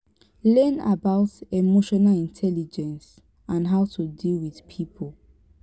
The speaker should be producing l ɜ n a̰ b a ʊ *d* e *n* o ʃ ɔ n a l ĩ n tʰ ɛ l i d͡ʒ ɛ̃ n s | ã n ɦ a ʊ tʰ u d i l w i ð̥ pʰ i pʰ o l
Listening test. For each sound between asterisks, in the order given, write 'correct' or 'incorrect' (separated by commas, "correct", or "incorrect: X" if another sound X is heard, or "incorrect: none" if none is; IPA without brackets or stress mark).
incorrect: t, incorrect: m